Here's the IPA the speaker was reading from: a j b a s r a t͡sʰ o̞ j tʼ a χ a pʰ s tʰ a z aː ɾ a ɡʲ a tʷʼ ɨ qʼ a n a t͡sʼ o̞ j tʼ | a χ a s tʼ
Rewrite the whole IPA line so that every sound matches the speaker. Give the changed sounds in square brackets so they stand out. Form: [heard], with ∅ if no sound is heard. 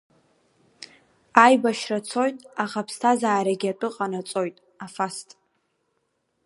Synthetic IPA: a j b a [ʃ] r a t͡sʰ o̞ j tʼ a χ a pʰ s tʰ a z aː ɾ a ɡʲ a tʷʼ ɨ qʼ a n a t͡sʼ o̞ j tʼ | a [f] a s tʼ